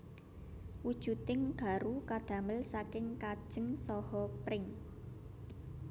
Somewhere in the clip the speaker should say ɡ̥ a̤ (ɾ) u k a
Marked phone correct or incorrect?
correct